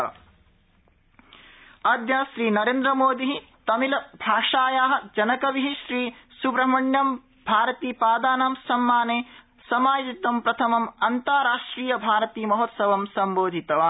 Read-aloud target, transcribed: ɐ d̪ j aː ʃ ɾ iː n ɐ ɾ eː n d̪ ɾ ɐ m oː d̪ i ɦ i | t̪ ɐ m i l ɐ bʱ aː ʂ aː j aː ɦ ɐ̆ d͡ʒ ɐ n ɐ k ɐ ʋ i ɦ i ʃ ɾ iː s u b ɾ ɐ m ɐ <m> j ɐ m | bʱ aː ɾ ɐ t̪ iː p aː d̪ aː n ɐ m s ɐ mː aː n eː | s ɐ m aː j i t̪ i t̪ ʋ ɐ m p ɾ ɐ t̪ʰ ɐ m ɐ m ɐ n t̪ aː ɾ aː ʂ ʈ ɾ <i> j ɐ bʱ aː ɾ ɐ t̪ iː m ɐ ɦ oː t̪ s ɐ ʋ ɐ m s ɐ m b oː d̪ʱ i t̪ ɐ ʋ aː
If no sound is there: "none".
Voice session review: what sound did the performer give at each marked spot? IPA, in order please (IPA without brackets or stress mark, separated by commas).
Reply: ɳ, iː